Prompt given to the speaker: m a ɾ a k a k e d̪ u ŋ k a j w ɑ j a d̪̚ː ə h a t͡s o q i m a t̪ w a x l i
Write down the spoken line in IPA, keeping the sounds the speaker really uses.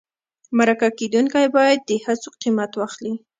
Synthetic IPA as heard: m a ɾ a k a k e d̪ u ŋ k a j b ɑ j a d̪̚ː ə h a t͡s o q i m a t̪ w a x l i